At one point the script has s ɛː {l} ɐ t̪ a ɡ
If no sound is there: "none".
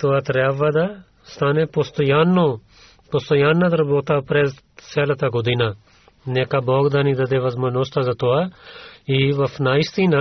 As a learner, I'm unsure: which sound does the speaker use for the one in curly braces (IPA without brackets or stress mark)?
l